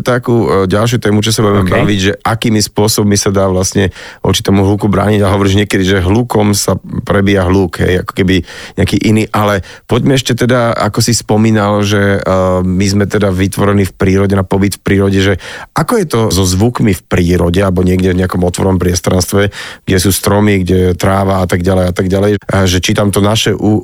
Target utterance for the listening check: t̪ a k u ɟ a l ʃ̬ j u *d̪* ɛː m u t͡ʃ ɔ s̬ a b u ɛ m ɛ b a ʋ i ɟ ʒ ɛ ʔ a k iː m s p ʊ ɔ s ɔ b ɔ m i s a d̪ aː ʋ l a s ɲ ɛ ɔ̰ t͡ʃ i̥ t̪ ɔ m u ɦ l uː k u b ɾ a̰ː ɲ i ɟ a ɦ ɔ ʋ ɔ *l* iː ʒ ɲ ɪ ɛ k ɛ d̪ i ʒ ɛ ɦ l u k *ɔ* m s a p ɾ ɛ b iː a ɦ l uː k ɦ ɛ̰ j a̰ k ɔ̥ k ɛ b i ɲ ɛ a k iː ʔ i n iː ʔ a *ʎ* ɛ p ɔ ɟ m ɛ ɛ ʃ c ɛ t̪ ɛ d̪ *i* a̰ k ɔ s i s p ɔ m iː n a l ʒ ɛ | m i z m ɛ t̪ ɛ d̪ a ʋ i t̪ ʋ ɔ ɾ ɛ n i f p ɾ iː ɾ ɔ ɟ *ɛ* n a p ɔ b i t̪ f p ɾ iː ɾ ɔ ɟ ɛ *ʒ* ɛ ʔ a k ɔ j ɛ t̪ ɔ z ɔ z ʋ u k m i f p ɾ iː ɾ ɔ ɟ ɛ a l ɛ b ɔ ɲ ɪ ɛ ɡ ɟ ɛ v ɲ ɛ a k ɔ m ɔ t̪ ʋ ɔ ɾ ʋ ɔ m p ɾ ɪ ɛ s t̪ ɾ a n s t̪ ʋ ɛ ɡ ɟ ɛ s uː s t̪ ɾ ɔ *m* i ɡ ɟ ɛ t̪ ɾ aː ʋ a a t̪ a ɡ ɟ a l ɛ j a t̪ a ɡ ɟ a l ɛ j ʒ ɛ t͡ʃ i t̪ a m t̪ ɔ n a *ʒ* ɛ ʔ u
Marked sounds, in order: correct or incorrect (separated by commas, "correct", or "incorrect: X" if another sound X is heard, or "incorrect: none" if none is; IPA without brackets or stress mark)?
incorrect: t̪, incorrect: ɾ, correct, incorrect: l, incorrect: a, correct, correct, correct, incorrect: ʃ